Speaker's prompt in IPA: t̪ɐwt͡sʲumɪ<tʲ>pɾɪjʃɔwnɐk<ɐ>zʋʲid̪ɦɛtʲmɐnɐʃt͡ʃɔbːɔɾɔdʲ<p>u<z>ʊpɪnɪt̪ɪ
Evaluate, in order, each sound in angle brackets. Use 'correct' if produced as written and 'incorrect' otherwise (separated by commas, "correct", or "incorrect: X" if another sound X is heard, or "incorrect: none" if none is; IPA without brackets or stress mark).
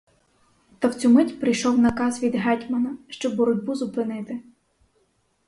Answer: correct, incorrect: ɑ, incorrect: b, correct